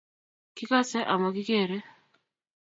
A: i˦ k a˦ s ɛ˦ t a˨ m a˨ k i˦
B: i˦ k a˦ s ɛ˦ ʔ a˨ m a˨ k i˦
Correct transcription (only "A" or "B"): B